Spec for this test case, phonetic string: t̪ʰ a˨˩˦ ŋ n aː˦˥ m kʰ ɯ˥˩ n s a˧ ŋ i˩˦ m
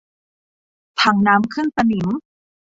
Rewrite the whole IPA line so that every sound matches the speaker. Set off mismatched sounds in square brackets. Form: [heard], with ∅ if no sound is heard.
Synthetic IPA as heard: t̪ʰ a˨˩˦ ŋ n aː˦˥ m kʰ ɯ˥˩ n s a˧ [n] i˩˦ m